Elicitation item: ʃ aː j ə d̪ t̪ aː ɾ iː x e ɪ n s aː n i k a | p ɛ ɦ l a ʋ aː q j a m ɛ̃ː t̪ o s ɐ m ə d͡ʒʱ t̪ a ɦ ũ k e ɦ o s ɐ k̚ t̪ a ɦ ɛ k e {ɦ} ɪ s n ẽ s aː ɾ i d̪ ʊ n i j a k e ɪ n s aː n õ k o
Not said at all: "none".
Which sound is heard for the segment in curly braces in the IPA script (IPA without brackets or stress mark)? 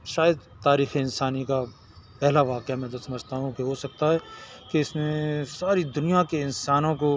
none